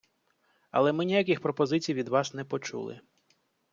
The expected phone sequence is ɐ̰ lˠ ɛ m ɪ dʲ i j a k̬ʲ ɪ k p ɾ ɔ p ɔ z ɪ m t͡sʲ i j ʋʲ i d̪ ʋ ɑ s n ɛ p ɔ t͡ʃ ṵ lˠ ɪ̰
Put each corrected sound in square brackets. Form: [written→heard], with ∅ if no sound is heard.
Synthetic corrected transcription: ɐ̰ lˠ ɛ m ɪ [dʲ→nʲ] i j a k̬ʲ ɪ [k→x] p ɾ ɔ p ɔ z ɪ [m→∅] t͡sʲ i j ʋʲ i d̪ ʋ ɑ s n ɛ p ɔ t͡ʃ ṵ lˠ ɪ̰